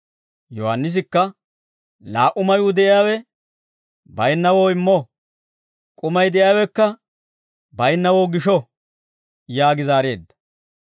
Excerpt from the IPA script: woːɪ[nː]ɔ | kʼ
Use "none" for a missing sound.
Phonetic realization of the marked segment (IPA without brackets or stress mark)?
mː